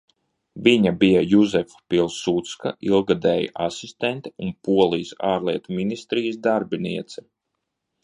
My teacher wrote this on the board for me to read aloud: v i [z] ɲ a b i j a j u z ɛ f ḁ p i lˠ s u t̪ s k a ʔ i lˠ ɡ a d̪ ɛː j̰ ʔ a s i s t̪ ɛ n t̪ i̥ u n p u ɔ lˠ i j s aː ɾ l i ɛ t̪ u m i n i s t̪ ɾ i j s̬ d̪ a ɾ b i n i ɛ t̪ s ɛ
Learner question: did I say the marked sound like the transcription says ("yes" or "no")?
no